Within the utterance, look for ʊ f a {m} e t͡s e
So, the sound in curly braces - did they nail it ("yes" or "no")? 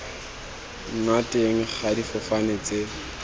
no